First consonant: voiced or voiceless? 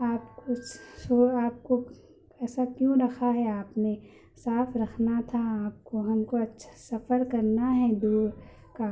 voiceless